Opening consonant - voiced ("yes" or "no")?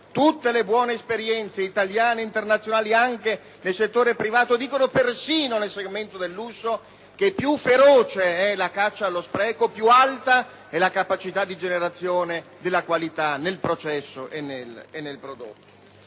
no